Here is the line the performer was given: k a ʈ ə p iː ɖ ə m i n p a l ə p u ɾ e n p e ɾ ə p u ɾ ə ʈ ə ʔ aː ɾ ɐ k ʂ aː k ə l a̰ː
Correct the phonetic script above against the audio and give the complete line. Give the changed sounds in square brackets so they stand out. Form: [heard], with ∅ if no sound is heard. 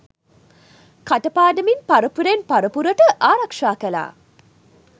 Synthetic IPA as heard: k a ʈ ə p [aː] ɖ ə m i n p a [ɾ] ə p u ɾ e n p [a] ɾ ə p u ɾ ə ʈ ə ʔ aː ɾ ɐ k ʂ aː k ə l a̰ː